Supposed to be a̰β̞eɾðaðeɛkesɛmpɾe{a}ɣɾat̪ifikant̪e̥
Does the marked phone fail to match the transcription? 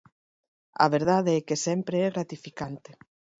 yes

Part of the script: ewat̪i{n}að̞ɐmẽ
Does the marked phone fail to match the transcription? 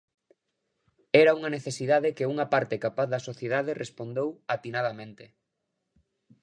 no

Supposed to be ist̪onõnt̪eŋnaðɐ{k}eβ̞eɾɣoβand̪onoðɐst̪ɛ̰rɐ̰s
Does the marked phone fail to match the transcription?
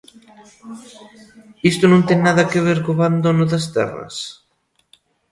no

